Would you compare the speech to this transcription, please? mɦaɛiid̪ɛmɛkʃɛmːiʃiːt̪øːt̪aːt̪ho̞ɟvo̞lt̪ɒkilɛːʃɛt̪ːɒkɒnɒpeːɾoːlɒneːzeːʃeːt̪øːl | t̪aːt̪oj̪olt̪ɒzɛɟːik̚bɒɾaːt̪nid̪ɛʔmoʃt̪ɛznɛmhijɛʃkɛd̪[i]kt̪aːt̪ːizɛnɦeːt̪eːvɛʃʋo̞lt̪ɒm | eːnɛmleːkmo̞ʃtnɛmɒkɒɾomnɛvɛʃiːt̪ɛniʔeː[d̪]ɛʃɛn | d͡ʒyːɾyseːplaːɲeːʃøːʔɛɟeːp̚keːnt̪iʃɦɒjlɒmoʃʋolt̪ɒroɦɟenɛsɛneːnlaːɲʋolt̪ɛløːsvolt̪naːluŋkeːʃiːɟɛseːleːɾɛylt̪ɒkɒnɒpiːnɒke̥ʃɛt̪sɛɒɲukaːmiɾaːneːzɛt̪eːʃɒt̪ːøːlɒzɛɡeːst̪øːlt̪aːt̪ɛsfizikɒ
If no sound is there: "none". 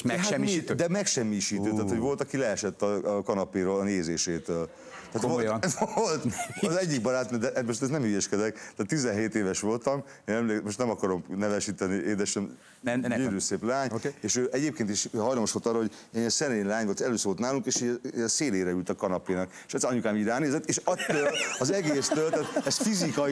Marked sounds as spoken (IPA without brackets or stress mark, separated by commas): ɛ, d̪